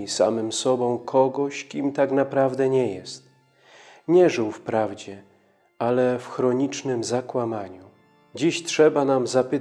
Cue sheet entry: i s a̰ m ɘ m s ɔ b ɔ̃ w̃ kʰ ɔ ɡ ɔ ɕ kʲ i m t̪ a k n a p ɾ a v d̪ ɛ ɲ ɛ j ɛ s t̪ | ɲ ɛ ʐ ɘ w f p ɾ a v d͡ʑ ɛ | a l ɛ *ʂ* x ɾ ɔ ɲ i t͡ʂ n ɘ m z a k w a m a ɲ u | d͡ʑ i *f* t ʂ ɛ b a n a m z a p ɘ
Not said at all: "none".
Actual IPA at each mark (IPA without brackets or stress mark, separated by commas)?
f, ɕ